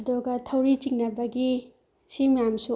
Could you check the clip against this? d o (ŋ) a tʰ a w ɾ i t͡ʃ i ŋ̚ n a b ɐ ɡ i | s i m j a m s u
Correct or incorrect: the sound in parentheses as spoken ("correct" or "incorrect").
incorrect